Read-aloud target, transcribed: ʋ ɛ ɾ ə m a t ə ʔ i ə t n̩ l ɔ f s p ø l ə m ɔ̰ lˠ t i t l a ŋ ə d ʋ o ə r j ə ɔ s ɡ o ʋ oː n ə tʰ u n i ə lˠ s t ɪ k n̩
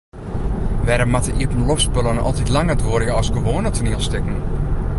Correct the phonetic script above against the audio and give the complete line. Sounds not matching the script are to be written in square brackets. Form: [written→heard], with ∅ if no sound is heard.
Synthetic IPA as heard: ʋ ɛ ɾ ə m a t ə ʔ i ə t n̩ l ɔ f s p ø l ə [m→n] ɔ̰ lˠ t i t l a ŋ ə d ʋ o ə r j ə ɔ s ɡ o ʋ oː n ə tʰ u n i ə lˠ s t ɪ k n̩